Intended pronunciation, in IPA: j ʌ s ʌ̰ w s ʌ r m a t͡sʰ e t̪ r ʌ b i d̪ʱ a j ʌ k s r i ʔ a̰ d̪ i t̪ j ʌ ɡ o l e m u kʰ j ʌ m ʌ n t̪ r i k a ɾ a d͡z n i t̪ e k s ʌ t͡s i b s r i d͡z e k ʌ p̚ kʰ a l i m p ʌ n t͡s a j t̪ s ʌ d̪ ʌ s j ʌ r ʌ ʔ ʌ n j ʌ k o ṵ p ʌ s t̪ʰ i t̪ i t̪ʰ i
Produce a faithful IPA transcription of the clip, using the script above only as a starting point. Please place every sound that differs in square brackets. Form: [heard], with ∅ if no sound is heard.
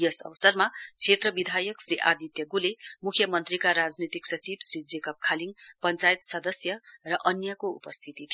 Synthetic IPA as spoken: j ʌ s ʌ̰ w s ʌ r m a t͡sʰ e t̪ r ʌ b i d̪ʱ a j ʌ k s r i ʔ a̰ d̪ i t̪ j ʌ ɡ [u] l e m u kʰ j ʌ m ʌ n t̪ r i k a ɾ a d͡z n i t̪ [i] k s ʌ t͡s i b s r i d͡z e k ʌ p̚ kʰ a l i [ŋ] p ʌ n t͡s a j t̪ s ʌ d̪ ʌ s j ʌ r ʌ ʔ ʌ n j ʌ k o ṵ p ʌ s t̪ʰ i t̪ i t̪ʰ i